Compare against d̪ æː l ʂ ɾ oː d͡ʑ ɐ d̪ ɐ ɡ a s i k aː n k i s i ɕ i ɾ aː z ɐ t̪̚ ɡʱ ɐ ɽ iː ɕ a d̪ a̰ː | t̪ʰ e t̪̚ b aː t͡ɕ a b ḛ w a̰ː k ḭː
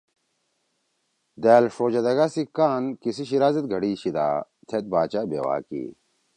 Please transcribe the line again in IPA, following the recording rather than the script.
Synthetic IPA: d̪ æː l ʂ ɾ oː d͡ʑ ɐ d̪ ɐ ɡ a s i k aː n k i s i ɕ i ɾ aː z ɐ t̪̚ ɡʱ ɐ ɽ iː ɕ i d̪ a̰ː | t̪ʰ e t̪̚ b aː t͡ɕ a b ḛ w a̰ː k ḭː